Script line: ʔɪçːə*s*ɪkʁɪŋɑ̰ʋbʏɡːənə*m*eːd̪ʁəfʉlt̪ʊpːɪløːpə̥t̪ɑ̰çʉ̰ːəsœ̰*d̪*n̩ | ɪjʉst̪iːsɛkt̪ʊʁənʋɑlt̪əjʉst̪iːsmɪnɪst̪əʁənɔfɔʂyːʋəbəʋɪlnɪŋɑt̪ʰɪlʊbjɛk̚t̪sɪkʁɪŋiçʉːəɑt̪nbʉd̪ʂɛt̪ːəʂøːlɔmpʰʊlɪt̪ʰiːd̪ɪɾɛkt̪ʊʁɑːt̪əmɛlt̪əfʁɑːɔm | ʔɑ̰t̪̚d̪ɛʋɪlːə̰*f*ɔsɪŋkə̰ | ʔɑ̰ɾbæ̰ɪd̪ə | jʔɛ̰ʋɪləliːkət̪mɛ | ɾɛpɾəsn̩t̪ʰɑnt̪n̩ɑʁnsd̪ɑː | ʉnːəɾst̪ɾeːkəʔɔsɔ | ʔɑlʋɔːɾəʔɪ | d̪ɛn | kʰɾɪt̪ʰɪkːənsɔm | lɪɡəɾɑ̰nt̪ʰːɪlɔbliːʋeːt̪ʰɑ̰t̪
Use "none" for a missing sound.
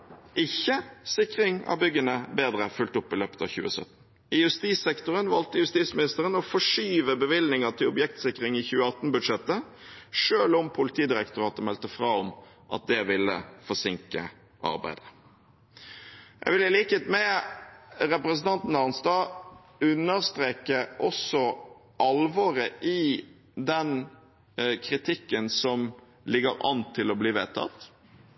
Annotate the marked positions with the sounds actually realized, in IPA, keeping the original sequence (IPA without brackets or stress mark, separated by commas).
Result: s, b, t̪, f